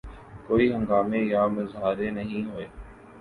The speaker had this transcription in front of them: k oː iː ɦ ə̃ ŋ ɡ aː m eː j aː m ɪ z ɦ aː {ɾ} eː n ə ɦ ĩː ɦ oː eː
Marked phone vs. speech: correct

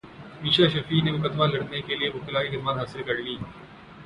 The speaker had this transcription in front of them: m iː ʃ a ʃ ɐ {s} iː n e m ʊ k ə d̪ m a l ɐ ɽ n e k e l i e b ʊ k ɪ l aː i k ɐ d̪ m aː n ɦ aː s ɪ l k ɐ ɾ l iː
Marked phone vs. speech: incorrect: f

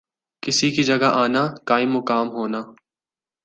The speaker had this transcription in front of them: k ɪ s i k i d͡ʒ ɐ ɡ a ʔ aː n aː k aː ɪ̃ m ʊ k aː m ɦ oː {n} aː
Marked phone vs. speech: correct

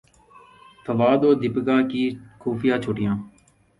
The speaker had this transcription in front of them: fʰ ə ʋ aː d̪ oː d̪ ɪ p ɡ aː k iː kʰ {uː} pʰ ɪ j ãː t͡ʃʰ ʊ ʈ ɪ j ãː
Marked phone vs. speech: correct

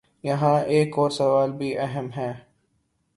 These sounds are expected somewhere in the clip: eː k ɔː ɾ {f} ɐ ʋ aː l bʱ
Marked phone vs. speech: incorrect: s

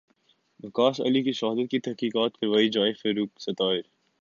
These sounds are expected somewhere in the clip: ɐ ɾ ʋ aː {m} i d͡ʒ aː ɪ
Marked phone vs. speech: incorrect: none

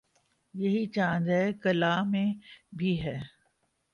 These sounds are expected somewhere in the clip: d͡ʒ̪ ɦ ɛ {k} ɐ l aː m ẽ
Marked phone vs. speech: correct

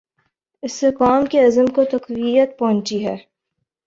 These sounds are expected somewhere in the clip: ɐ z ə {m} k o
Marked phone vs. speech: correct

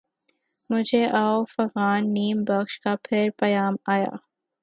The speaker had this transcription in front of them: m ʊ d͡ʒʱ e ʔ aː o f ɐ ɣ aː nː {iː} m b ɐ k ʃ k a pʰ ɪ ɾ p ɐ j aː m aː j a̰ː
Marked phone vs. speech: correct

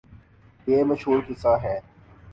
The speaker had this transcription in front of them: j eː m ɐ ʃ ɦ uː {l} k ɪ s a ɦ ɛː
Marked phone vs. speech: incorrect: ɾ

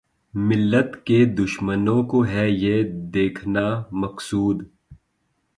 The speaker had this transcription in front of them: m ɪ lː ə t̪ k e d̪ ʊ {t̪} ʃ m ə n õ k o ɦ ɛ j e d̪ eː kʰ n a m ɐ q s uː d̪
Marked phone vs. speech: incorrect: none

